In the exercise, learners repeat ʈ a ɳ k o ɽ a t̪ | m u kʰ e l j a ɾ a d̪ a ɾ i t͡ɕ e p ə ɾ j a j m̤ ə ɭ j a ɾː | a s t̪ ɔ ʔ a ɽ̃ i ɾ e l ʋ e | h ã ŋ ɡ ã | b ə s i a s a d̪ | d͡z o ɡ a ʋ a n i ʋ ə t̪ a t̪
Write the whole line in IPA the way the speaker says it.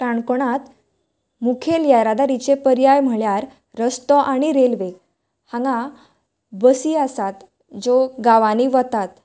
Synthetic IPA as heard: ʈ a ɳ k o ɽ a t̪ | m u kʰ e l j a ɾ a d̪ a ɾ i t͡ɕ e p ə ɾ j a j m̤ ə ɭ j a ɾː | ə s t̪ ɔ ʔ a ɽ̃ i ɾ e l ʋ e | h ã ŋ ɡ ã | b ə s i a s a t̪ | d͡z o ɡ a ʋ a n i ʋ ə t̪ a t̪